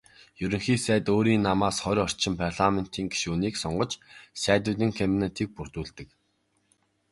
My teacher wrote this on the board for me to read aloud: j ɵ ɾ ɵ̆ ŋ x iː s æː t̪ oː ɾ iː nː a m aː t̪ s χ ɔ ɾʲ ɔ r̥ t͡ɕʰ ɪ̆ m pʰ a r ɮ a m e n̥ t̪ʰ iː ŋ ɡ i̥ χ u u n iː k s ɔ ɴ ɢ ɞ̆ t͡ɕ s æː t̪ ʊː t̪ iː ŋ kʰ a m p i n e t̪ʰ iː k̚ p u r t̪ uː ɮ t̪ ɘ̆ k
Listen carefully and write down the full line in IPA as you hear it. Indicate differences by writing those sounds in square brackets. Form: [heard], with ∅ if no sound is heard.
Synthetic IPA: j ɵ ɾ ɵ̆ ŋ x iː s æː t̪ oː ɾ iː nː a m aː [∅] s χ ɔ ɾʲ ɔ r̥ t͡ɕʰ ɪ̆ m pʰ a r ɮ a m e n̥ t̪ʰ iː ŋ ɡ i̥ [ʃ] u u n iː k s ɔ ɴ ɢ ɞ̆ t͡ɕ s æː t̪ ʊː t̪ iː ŋ kʰ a m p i n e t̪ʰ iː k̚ p u r t̪ uː ɮ t̪ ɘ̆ k